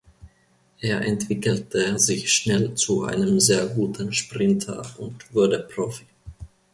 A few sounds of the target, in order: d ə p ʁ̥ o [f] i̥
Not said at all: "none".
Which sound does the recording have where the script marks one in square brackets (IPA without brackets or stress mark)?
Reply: f